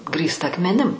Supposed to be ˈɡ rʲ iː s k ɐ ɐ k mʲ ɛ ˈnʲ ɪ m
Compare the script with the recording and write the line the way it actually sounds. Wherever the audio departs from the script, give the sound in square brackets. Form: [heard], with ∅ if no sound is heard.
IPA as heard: ˈɡ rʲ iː s [t] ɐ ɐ k mʲ ɛ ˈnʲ ɪ m